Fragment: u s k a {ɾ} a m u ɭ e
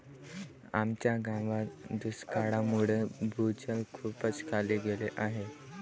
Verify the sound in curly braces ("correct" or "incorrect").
incorrect